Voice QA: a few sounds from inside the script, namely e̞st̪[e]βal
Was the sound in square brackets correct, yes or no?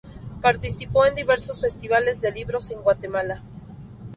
no